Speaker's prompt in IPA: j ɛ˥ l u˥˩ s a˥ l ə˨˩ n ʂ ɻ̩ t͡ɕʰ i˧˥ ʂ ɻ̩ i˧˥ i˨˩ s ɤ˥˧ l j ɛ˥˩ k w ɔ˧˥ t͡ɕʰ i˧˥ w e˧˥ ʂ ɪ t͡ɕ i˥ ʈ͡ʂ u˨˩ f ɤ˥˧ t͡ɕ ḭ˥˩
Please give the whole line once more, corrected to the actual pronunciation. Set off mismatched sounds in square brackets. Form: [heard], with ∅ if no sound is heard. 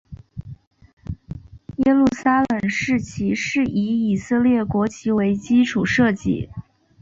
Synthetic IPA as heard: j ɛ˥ l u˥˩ s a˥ l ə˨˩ [ŋ] ʂ ɻ̩ t͡ɕʰ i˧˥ ʂ ɻ̩ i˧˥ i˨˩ s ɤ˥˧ l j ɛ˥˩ k w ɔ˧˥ t͡ɕʰ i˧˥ w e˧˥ [∅] ɪ t͡ɕ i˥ [ʈ͡ʂʰ] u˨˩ [ʂ] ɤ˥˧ t͡ɕ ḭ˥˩

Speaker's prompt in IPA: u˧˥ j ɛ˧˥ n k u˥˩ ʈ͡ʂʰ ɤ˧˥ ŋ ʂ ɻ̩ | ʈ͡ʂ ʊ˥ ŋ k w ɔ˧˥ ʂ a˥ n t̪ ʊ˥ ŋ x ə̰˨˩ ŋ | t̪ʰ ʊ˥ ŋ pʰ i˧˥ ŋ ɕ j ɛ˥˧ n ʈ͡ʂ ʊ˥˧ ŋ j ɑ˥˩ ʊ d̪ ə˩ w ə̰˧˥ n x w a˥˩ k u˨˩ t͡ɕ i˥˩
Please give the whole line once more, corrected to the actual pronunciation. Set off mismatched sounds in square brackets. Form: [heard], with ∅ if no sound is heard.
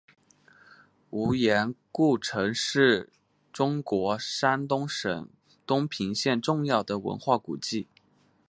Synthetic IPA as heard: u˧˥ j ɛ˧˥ n k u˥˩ ʈ͡ʂʰ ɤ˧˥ ŋ ʂ ɻ̩ | ʈ͡ʂ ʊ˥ ŋ k w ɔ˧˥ ʂ a˥ n t̪ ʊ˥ ŋ [ʂ] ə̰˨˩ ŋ | [t̪] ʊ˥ ŋ pʰ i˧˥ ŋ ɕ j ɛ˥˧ n ʈ͡ʂ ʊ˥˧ ŋ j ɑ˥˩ ʊ d̪ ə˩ w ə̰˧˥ n x w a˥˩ k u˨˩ t͡ɕ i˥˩

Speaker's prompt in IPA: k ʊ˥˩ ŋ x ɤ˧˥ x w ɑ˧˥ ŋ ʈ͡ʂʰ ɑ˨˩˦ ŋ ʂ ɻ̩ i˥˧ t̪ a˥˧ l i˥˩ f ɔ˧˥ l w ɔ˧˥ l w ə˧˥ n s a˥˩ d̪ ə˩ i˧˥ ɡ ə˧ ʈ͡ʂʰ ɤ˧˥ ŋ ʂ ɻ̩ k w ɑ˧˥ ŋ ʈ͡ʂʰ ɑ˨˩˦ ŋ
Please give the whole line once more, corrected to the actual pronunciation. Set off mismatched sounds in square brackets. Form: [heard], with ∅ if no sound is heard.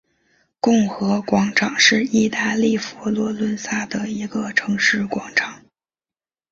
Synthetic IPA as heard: k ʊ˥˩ ŋ x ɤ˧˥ [k] w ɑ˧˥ ŋ ʈ͡ʂʰ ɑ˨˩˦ ŋ ʂ ɻ̩ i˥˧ t̪ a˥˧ l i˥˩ f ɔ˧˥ l w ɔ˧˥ l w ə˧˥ n s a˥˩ d̪ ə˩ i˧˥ ɡ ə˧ ʈ͡ʂʰ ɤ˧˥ ŋ ʂ ɻ̩ k w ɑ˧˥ ŋ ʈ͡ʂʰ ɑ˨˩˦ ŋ

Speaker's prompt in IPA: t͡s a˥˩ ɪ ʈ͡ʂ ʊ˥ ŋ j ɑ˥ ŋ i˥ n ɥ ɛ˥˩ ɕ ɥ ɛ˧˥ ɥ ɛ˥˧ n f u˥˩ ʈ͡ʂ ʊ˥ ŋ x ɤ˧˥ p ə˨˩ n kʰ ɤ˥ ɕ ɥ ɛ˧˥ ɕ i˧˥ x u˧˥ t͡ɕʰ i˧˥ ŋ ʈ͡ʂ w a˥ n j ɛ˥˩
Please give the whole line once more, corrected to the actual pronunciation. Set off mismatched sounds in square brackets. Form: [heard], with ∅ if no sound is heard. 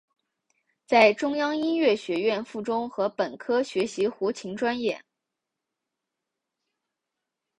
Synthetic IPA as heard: t͡s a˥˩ ɪ ʈ͡ʂ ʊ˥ ŋ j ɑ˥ ŋ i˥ n ɥ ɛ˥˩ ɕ ɥ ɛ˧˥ ɥ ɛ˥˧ n f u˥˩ ʈ͡ʂ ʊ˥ ŋ x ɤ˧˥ p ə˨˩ n kʰ ɤ˥ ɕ ɥ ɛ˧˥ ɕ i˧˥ x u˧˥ t͡ɕʰ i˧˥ ŋ ʈ͡ʂ w a˥ n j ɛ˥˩

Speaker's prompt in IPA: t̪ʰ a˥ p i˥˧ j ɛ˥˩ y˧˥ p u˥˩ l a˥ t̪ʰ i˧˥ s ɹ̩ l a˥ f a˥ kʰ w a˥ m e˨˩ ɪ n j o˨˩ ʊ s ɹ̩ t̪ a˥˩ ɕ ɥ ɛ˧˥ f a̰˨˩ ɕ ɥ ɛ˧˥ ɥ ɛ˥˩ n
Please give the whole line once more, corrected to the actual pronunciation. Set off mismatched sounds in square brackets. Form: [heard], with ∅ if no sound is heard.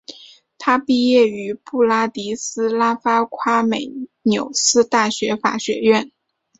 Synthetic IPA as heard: t̪ʰ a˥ p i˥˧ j ɛ˥˩ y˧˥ p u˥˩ l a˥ [t̪] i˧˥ s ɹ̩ l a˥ f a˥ kʰ w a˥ m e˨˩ ɪ n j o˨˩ ʊ s ɹ̩ t̪ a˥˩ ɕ ɥ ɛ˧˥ f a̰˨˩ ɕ ɥ ɛ˧˥ ɥ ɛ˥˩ n

